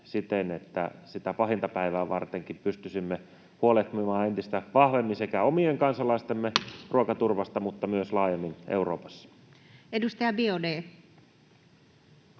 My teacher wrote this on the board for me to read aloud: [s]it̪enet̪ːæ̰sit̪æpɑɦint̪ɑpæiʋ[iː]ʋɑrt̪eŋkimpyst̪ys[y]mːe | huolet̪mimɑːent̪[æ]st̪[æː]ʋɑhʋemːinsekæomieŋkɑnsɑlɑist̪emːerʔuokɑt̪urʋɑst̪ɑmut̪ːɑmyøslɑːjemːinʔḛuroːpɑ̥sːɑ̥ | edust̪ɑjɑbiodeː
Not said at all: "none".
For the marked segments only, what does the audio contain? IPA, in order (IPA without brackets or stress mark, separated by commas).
s, æː, i, i, æ